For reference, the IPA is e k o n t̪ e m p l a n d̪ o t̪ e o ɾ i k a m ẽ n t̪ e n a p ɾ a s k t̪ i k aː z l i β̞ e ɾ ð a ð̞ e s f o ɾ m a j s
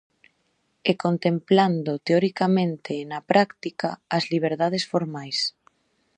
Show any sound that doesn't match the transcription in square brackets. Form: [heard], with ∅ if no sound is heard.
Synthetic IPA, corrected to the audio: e k o n t̪ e m p l a n d̪ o t̪ e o ɾ i k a m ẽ n t̪ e n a p ɾ a [∅] k t̪ i k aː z l i β̞ e ɾ ð a ð̞ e s f o ɾ m a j s